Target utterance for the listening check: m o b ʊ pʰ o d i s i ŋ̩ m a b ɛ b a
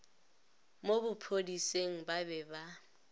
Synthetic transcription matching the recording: m o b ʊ pʰ o d i s e ŋ̩ b a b ɛ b a